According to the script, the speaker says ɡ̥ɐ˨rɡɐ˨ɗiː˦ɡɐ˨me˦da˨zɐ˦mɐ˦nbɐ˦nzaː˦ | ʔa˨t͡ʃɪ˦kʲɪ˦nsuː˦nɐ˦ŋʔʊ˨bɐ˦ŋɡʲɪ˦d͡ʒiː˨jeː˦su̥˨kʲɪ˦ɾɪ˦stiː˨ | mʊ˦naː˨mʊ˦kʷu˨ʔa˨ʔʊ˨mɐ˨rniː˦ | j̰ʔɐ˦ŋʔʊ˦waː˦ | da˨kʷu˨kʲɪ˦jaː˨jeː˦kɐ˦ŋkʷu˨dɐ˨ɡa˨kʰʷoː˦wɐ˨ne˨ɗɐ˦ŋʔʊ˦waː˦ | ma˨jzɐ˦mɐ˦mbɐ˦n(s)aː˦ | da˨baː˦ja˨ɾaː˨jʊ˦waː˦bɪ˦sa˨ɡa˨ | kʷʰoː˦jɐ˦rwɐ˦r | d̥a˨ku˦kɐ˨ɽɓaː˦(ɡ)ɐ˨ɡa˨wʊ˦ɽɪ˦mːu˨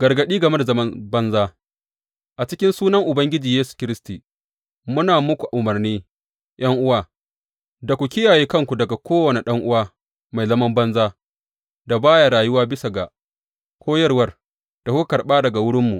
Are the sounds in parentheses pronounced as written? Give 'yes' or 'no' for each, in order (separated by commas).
no, no